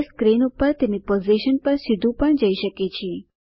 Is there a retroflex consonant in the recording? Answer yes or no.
yes